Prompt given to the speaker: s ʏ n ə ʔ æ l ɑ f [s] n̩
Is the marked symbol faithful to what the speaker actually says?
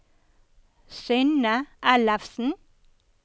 yes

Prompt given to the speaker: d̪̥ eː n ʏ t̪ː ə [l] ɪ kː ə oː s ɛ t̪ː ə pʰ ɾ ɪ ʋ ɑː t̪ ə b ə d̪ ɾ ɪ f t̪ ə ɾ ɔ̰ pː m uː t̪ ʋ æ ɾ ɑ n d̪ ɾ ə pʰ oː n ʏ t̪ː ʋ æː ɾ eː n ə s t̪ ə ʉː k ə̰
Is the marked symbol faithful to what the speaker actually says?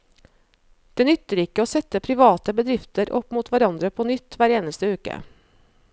no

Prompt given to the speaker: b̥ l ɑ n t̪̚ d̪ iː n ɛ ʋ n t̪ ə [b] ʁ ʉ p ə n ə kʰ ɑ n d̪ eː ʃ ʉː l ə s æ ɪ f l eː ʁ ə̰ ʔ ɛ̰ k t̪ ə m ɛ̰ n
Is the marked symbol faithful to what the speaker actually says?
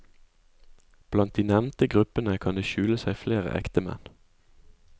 no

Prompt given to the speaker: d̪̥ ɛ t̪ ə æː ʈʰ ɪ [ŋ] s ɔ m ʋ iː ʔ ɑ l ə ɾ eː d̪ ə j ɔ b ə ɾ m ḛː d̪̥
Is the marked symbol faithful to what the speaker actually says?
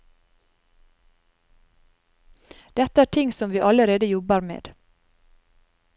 yes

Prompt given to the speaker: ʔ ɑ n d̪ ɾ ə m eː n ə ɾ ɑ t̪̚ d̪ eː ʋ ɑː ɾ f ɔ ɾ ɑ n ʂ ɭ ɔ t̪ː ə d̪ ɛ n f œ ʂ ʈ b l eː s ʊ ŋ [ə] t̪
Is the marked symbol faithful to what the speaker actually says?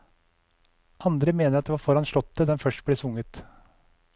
yes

